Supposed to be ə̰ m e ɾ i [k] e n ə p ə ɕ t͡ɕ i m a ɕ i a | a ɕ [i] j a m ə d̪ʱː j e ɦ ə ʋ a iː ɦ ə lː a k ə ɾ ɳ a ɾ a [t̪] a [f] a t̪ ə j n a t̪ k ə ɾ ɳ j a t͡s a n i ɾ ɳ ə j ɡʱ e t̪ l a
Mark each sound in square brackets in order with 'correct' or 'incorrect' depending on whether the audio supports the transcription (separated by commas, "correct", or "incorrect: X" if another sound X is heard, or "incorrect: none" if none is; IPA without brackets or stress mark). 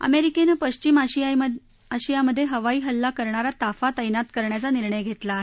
correct, correct, correct, correct